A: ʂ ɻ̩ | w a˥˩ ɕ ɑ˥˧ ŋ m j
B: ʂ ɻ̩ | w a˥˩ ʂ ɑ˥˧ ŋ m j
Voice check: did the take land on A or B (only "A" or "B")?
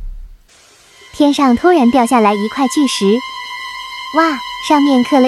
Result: B